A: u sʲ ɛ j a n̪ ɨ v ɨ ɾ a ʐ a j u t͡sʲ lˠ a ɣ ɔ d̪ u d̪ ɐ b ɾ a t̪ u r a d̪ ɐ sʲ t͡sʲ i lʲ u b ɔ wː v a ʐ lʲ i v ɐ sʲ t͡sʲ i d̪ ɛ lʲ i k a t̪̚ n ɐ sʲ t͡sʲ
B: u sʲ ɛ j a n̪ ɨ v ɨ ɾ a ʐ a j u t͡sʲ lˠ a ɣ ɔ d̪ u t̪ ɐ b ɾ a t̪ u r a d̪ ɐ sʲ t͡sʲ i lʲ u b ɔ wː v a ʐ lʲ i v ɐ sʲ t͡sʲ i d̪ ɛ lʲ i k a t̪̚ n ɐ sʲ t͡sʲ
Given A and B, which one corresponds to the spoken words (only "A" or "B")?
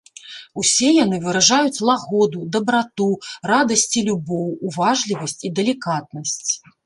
A